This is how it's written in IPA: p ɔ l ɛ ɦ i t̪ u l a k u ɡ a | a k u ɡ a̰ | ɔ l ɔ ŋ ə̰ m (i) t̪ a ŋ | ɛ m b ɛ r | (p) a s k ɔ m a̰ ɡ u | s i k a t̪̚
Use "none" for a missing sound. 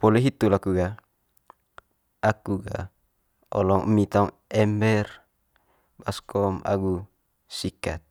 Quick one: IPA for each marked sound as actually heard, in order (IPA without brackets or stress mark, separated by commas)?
i, b